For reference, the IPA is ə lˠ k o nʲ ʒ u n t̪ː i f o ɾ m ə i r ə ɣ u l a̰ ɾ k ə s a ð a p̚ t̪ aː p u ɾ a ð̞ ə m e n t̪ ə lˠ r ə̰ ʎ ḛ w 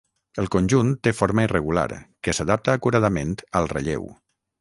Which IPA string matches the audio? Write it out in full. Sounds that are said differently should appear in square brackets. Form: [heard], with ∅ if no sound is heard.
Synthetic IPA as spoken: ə lˠ k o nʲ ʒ u n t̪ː [e] f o ɾ m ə i r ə ɣ u l a̰ ɾ k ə s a ð a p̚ t̪ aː [k] u ɾ a ð̞ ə m e n t̪ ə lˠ r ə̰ ʎ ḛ w